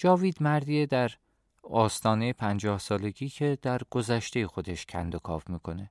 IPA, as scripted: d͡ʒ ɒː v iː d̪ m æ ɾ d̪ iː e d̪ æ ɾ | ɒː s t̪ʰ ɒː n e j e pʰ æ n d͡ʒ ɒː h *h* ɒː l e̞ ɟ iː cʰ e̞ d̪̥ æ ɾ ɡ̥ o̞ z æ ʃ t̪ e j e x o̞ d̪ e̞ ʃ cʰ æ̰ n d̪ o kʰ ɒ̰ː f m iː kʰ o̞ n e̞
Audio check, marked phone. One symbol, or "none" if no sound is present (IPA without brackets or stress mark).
s